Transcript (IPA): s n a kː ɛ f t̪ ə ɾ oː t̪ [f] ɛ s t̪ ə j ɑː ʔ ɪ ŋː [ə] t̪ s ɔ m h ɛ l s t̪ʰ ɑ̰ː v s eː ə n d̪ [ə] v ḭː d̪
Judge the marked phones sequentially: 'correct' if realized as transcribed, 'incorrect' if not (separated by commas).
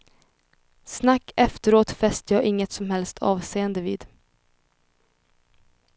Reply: correct, correct, correct